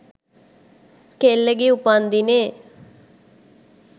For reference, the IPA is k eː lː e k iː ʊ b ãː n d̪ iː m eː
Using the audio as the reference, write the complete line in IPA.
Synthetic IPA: k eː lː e ɡ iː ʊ p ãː n d̪ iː n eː